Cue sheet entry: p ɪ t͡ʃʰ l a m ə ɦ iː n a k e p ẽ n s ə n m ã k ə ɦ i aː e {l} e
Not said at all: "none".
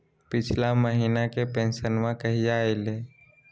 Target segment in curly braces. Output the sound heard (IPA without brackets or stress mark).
l